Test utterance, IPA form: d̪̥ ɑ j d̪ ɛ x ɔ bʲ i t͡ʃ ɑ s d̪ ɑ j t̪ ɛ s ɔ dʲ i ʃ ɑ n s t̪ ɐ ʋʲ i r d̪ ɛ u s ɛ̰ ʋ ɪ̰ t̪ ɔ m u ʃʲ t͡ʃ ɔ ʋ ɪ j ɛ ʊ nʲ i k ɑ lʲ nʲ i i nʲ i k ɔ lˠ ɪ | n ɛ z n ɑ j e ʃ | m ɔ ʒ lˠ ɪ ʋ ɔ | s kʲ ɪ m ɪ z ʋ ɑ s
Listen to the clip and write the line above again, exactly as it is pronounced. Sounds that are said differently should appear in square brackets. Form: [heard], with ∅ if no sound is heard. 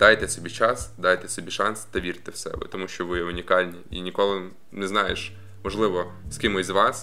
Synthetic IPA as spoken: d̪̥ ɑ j [t̪] ɛ [s] ɔ bʲ i t͡ʃ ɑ s d̪ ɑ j t̪ ɛ s ɔ [bʲ] i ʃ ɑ n s t̪ ɐ ʋʲ i r [t̪] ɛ [w] s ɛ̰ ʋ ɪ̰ t̪ ɔ m u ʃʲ t͡ʃ ɔ ʋ ɪ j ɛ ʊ nʲ i k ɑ lʲ nʲ i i nʲ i k ɔ lˠ ɪ | n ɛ z n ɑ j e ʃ | m ɔ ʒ lˠ ɪ ʋ ɔ | s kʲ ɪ m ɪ z ʋ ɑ s